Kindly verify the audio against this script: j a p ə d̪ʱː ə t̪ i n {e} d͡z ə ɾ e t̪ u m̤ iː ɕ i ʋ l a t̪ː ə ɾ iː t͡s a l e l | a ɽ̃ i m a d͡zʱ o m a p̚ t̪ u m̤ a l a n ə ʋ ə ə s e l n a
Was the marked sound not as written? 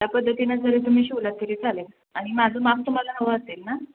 yes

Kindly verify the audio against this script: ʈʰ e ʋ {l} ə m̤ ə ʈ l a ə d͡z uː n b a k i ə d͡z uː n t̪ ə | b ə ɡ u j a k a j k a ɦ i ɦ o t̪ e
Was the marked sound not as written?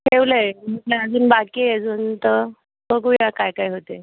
no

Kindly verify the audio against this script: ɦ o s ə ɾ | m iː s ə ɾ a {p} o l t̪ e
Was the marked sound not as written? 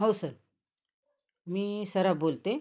yes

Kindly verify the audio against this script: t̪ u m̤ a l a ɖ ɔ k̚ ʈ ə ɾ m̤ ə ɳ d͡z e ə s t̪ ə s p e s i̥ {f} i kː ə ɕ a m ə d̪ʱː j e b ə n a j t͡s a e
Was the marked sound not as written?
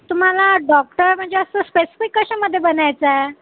no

